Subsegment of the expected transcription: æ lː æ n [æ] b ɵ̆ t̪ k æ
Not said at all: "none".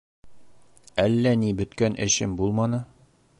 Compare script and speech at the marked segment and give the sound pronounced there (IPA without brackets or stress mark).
i